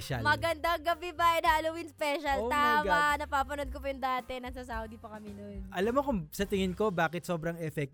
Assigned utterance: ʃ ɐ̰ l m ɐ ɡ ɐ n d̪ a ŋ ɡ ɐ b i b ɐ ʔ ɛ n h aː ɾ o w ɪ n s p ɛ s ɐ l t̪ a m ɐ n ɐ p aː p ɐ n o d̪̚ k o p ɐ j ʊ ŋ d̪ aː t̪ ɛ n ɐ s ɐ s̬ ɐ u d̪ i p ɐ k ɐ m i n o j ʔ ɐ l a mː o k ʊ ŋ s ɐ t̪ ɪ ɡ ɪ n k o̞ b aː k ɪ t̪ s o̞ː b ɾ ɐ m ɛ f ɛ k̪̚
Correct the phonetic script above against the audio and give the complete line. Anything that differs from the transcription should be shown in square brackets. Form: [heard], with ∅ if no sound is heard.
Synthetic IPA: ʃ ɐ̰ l m ɐ ɡ ɐ n d̪ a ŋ ɡ ɐ b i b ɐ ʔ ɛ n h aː [l] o w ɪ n s p ɛ [ʃ] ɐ l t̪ a m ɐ n ɐ p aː p ɐ n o d̪̚ k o p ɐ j ʊ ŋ d̪ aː t̪ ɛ n ɐ s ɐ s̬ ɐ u d̪ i p ɐ k ɐ m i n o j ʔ ɐ l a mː o k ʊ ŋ s ɐ t̪ ɪ [ŋ] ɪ n k o̞ b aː k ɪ t̪ s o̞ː b ɾ ɐ [ŋ] ɛ f ɛ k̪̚